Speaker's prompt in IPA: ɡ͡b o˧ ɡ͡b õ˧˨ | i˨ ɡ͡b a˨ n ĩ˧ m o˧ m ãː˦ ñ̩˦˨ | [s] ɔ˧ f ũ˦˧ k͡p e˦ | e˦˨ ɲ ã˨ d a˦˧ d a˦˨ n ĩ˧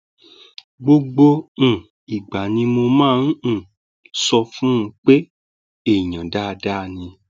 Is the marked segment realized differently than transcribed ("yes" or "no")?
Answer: no